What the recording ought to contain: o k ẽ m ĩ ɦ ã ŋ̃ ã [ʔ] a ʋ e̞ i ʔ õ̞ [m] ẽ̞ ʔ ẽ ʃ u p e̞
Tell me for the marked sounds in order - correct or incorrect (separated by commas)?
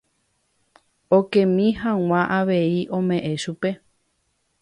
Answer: correct, correct